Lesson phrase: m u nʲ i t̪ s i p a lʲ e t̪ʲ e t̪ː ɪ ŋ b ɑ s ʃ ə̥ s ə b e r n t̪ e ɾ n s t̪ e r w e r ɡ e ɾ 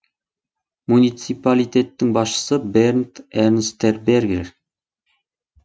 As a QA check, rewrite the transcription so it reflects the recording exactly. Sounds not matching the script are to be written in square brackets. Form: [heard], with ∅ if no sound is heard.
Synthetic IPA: m u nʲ i t̪ s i p a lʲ [i] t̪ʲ e t̪ː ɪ ŋ b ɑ s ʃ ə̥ s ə b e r n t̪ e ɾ n s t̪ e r [b] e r ɡ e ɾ